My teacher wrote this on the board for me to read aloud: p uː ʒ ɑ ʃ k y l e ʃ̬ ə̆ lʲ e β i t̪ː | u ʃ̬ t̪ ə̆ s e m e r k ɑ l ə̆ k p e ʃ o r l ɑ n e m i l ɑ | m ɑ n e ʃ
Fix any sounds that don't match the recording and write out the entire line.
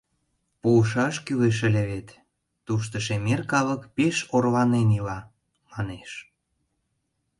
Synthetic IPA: p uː ʃ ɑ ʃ k y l e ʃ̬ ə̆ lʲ e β e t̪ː | u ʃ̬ t̪ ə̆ ʃ e m e r k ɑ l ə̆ k p e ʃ o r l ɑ n e n i l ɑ | m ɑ n e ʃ